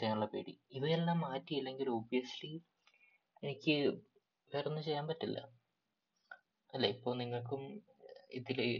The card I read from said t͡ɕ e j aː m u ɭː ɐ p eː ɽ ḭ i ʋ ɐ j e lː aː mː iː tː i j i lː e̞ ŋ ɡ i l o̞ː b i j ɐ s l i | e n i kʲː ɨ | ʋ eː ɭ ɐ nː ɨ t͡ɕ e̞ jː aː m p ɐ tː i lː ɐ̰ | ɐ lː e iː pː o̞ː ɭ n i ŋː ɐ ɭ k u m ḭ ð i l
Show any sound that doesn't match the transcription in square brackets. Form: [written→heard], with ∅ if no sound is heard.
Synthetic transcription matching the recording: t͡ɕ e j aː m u ɭː ɐ p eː ɽ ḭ i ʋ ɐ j e lː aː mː [iː→aː] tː i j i lː e̞ ŋ ɡ i l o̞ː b i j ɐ s l i | e n i kʲː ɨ | ʋ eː [ɭ→r] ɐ nː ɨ t͡ɕ e̞ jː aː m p ɐ tː i lː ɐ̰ | ɐ lː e [iː→i] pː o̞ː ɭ n i ŋː ɐ ɭ k u m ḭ ð i l